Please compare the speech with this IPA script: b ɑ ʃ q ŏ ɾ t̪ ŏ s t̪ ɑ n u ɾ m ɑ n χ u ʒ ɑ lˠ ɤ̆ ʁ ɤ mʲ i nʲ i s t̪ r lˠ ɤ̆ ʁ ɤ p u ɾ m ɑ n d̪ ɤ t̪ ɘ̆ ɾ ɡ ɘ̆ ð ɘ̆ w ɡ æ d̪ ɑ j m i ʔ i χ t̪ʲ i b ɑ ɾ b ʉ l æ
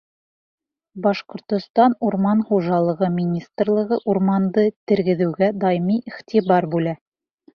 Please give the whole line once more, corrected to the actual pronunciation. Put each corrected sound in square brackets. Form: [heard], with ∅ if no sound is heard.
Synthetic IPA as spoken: b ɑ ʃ q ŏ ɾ t̪ ŏ s t̪ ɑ n u ɾ m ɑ n χ u ʒ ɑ lˠ ɤ̆ ʁ ɤ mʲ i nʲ i s t̪ r lˠ ɤ̆ ʁ ɤ [ʔ] u ɾ m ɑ n d̪ ɤ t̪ ɘ̆ ɾ ɡ ɘ̆ ð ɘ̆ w ɡ æ d̪ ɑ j m i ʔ i χ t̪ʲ i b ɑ ɾ b ʉ l æ